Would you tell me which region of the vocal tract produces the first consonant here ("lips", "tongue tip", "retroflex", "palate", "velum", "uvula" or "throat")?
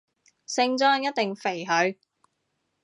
tongue tip